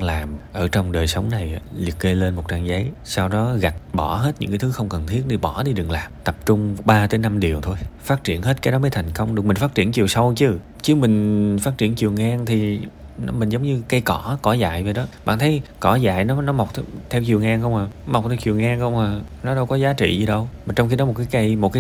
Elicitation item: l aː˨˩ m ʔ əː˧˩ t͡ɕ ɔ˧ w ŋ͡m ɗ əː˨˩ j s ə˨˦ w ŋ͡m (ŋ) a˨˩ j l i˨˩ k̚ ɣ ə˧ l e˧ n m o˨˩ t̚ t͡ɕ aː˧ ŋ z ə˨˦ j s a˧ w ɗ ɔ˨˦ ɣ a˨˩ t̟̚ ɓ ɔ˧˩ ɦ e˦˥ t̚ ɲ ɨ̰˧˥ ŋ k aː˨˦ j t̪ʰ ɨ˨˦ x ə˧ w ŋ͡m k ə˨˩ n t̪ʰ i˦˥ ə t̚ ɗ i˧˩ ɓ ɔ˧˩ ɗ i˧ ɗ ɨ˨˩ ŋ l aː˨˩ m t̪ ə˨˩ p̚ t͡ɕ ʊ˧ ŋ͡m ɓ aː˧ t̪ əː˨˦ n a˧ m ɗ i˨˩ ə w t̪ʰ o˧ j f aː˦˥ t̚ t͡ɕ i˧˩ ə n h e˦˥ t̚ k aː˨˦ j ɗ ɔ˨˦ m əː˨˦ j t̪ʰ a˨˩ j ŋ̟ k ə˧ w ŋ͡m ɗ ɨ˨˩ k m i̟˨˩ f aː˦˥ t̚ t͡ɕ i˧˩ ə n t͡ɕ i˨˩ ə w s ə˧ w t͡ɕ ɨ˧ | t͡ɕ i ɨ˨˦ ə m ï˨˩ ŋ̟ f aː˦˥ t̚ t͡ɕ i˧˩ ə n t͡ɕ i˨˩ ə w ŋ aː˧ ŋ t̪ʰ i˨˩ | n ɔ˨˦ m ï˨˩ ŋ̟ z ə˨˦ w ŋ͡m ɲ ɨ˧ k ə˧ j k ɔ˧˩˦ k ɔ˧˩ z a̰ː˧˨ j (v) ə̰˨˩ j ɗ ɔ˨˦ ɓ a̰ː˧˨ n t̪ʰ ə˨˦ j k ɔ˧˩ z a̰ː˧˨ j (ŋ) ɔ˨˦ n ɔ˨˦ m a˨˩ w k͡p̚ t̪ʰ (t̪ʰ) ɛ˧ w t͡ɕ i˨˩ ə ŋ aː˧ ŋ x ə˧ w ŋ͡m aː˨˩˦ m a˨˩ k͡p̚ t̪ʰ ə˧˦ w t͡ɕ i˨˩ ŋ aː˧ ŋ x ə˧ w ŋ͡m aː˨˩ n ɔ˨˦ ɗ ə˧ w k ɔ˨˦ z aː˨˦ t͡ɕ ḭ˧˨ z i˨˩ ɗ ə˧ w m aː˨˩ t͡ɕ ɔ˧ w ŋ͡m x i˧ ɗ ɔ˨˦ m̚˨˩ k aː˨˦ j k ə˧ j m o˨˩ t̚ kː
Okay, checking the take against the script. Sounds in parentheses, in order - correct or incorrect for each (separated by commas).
incorrect, correct, incorrect, correct